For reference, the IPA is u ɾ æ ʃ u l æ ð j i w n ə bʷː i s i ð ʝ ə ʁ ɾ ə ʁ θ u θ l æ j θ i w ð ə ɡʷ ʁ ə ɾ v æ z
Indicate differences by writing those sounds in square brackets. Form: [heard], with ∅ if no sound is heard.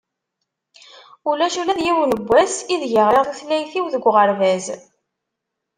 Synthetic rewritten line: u [l] æ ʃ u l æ ð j i w n ə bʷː [æ] s i ð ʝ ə ʁ ɾ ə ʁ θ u θ l æ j θ i w ð ə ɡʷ ʁ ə ɾ v æ z